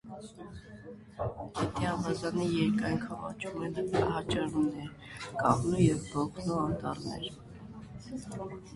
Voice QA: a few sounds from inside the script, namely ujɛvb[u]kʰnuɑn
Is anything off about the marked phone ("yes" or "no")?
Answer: yes